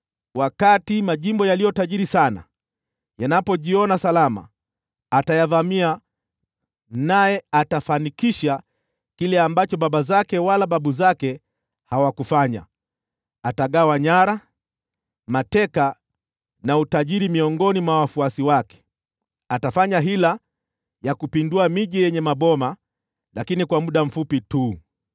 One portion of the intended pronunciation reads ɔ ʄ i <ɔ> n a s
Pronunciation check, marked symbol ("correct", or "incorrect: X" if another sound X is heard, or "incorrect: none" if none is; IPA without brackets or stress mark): correct